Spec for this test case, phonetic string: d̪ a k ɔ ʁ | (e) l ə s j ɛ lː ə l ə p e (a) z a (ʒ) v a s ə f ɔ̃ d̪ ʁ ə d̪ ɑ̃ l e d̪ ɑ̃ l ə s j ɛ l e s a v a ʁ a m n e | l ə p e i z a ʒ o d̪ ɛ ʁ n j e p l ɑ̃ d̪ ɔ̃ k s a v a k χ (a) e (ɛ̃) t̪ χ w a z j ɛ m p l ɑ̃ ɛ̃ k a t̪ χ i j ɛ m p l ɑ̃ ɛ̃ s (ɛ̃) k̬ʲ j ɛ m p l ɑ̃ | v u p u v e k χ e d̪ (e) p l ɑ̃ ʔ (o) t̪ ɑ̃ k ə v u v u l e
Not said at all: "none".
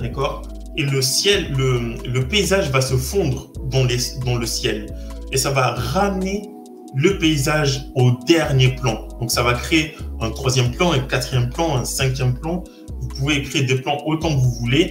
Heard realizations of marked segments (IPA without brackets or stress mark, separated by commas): e, i, ʒ, e, ɛ̃, ɛ̃, e, o